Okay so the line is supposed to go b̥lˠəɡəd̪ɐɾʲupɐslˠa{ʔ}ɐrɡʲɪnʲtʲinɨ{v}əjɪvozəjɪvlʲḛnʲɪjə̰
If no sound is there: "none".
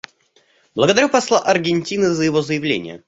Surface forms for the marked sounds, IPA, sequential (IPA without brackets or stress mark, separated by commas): ʔ, z